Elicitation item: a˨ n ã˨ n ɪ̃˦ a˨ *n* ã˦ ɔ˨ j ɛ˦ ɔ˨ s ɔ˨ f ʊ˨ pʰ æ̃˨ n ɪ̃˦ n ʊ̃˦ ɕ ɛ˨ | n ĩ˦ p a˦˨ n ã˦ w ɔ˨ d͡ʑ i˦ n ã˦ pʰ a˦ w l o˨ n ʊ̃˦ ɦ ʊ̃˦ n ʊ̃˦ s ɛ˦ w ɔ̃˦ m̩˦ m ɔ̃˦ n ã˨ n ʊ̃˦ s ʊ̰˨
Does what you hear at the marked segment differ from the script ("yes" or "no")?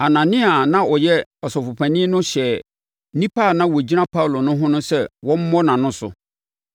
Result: no